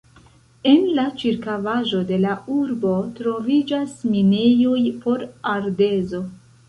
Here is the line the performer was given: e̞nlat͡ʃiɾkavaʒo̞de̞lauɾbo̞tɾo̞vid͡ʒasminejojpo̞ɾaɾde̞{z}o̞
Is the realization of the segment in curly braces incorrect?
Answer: no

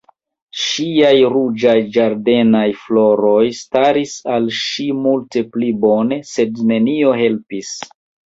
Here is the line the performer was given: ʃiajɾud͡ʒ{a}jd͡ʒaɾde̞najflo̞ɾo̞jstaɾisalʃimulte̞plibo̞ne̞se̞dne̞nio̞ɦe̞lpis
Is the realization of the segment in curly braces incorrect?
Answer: no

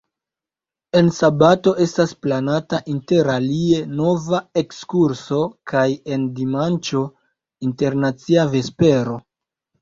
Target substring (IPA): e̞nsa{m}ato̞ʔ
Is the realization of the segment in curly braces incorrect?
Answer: yes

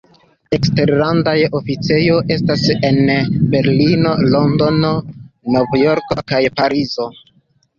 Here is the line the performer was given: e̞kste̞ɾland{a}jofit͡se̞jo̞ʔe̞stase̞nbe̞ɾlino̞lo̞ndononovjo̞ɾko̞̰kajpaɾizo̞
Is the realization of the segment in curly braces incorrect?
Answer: no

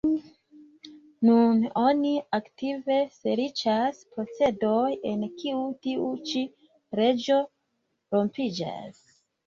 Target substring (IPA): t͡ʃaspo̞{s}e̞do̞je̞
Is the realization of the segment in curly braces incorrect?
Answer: yes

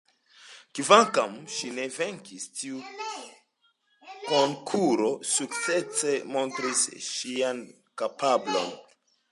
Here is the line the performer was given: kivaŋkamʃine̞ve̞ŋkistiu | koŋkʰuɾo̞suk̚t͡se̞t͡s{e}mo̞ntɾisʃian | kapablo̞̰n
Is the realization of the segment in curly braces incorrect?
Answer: no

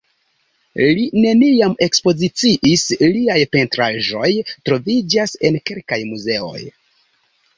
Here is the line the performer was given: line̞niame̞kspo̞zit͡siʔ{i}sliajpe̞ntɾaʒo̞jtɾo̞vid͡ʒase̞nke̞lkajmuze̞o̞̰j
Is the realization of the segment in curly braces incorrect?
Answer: no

